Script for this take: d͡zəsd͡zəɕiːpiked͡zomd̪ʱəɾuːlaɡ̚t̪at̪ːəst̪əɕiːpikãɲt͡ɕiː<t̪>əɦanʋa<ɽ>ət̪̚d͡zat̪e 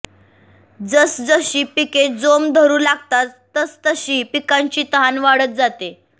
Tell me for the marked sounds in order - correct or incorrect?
correct, correct

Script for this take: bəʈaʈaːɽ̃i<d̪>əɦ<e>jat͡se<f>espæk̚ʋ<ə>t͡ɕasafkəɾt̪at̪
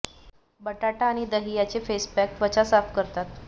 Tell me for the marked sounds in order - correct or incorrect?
correct, incorrect, correct, correct

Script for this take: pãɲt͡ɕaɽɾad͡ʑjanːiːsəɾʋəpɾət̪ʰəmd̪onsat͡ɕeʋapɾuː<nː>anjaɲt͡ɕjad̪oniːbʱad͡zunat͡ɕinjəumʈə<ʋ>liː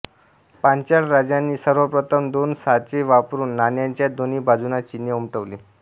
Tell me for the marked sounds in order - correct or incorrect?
correct, correct

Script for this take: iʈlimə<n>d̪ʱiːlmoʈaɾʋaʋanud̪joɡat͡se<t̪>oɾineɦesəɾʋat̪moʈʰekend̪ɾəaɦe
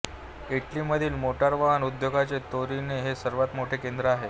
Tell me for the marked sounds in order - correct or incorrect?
incorrect, correct

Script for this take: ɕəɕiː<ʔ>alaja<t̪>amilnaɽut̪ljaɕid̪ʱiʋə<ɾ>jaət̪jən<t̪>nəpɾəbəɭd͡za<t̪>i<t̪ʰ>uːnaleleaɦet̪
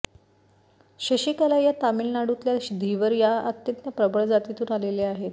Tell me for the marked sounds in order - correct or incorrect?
incorrect, correct, correct, correct, correct, incorrect

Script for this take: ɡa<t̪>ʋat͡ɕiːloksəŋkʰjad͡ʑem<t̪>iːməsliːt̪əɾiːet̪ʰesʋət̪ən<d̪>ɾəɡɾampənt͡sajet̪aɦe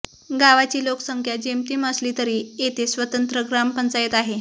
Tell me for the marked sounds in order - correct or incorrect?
incorrect, correct, incorrect

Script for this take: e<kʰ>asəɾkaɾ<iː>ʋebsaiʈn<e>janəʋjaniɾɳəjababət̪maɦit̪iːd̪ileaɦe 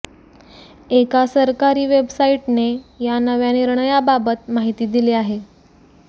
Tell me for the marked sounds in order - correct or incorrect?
incorrect, correct, correct

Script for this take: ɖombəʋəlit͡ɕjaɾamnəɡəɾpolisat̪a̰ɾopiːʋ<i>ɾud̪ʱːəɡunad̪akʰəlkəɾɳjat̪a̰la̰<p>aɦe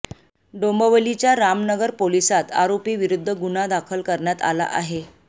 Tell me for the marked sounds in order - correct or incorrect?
correct, incorrect

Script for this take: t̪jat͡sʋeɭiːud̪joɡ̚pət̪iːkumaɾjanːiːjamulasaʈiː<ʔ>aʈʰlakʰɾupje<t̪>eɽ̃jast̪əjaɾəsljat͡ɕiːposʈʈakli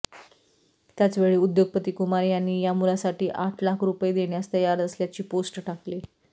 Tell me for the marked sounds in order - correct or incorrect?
correct, incorrect

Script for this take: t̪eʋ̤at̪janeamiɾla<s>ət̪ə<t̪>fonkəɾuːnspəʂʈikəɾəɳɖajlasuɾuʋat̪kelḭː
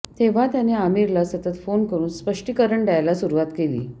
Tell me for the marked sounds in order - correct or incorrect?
correct, correct

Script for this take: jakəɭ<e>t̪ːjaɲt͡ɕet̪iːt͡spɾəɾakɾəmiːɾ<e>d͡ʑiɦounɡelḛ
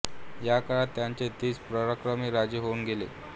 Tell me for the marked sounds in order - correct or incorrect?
incorrect, incorrect

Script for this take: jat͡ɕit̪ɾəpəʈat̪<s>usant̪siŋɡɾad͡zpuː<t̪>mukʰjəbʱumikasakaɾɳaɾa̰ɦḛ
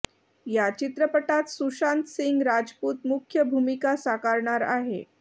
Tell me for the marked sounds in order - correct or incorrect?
correct, correct

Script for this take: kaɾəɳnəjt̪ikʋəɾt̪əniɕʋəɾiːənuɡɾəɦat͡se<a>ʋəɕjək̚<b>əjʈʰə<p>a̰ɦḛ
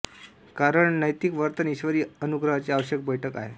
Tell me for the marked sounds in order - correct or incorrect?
correct, correct, incorrect

